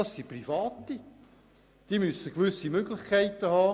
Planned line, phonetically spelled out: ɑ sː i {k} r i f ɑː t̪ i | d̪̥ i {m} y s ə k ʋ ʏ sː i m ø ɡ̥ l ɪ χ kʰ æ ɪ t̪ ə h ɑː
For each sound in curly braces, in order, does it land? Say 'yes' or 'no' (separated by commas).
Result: no, yes